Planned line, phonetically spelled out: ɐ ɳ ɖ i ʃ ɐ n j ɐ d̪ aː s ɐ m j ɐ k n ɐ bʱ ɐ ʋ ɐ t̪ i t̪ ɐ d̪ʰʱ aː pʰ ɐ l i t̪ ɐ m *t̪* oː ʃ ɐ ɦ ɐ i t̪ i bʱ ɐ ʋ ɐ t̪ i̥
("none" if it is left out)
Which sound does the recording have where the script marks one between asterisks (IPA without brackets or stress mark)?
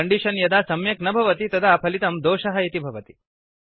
d̪